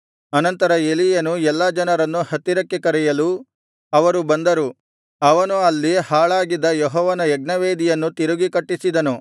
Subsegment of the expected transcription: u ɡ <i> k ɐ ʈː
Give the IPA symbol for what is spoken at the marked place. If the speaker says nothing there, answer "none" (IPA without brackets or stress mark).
i